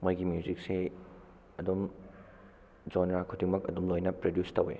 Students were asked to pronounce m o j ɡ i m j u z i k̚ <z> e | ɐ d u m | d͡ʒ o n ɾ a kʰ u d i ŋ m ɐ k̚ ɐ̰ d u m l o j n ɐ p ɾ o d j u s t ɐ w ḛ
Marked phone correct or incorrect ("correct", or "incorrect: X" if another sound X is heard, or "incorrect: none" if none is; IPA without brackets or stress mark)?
incorrect: s